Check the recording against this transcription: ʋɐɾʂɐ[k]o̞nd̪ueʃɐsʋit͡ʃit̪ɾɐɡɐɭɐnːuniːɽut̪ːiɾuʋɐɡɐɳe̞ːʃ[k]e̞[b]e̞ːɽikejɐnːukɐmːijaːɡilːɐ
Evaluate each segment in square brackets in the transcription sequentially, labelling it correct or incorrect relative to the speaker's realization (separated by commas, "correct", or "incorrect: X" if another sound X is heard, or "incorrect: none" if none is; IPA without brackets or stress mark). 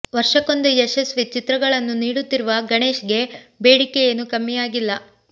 correct, incorrect: ɡ, correct